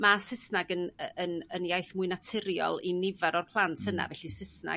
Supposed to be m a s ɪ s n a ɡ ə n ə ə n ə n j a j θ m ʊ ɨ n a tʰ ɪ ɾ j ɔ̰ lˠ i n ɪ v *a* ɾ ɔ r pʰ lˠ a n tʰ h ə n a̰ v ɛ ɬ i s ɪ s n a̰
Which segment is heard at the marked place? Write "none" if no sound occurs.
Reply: a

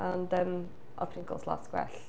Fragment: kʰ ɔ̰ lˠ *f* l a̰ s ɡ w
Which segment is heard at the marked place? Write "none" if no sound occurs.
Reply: s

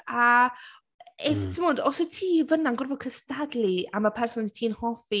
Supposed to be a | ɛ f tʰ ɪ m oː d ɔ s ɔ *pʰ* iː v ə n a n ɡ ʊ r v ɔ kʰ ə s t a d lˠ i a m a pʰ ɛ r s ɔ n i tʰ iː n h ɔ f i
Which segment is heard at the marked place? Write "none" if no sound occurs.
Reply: tʰ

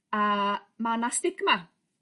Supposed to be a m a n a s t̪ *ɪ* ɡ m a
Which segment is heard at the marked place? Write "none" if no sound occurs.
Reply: ɪ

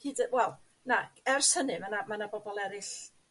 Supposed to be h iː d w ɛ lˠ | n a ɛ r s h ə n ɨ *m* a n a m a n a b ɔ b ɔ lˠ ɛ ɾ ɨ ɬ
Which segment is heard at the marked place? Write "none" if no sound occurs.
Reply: m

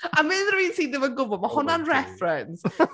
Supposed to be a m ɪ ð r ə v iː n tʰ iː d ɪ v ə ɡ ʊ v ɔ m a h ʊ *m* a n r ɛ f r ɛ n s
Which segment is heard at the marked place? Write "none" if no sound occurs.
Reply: n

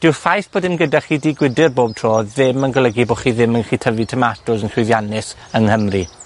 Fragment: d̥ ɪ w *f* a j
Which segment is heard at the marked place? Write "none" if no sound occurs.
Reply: f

